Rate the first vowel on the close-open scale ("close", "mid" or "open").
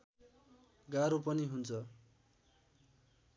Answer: open